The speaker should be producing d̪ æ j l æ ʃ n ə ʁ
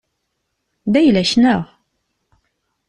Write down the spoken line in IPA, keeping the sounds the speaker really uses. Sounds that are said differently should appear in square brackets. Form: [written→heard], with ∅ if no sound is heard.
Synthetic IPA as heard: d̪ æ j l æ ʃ n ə ʁ